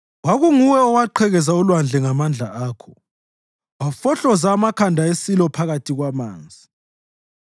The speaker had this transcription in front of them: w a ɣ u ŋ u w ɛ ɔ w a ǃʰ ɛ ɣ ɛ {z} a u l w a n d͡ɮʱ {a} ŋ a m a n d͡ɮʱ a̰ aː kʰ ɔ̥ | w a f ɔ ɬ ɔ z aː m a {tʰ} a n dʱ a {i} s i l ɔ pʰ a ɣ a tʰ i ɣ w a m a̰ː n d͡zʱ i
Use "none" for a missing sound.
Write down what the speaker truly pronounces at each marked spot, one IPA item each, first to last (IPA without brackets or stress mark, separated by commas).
z, ɛ, kʰ, e